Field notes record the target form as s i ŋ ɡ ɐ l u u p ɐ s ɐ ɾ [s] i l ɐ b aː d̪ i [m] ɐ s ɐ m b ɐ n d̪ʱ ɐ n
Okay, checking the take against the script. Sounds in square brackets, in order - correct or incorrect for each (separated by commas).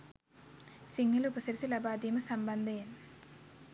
correct, correct